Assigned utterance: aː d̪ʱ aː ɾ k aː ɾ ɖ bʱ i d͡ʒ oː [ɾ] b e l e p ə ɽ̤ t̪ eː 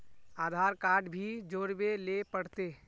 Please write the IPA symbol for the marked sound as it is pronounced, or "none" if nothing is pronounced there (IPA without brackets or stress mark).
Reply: ɾ